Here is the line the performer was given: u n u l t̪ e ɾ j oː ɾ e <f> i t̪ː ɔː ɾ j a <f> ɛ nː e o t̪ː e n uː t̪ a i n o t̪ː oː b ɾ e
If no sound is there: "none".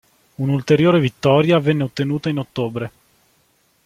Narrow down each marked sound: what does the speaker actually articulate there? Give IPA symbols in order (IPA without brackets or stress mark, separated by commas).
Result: v, v